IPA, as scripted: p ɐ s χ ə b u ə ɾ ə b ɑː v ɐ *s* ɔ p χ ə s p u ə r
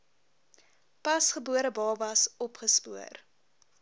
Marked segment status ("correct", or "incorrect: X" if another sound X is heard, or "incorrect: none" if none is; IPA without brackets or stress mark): correct